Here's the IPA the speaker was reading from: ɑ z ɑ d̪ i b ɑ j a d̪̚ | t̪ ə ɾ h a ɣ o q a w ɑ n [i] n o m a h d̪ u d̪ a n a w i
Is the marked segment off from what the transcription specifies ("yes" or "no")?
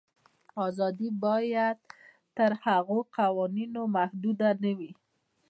no